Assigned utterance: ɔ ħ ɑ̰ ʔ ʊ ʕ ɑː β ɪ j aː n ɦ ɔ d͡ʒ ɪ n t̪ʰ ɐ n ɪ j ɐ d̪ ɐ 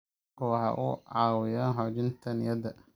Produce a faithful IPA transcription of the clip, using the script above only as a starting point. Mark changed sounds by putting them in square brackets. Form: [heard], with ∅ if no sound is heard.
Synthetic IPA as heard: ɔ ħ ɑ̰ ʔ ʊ ʕ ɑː [w] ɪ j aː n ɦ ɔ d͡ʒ ɪ n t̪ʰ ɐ n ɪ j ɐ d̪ ɐ